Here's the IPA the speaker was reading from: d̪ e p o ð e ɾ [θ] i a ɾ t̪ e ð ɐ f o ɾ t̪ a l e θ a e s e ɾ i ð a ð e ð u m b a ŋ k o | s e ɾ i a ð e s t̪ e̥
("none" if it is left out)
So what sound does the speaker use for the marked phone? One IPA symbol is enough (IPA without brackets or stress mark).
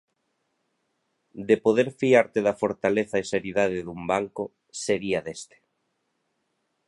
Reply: f